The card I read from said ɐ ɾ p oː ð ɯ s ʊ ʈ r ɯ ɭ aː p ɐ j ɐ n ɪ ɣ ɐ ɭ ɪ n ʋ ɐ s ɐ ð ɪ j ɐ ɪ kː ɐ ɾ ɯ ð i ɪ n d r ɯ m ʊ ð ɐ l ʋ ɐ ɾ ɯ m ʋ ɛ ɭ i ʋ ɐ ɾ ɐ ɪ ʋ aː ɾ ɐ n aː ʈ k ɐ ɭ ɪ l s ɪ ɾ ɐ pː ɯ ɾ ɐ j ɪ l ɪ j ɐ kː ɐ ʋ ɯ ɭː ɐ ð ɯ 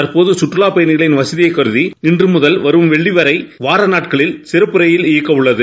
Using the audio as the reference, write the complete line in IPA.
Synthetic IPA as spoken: ɐ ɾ p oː ð ɯ s ʊ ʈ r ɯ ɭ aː p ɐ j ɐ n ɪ ɣ ɐ ɭ ɪ n ʋ ɐ s ɐ ð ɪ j ɐ ɪ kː ɐ ɾ ɯ ð i ɪ n d r ɯ m ʊ ð ɐ l ʋ ɐ ɾ ɯ m ʋ ɛ ɭː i ʋ ɐ ɾ ɐ ɪ ʋ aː ɾ ɐ n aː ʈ k ɐ ɭ ɪ l s ɪ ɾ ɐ pː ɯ ɾ ɐ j ɪ l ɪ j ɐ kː ɐ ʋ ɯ ɭː ɐ ð ɯ